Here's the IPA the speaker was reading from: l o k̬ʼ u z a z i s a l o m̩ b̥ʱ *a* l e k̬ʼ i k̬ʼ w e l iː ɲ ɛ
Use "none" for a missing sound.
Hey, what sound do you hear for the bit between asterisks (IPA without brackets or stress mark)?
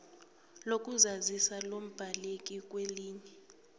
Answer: a